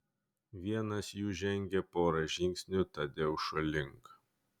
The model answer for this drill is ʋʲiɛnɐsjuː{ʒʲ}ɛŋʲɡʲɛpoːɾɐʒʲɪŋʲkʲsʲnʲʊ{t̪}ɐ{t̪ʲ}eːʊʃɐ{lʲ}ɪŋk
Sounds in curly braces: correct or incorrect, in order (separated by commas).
correct, correct, incorrect, correct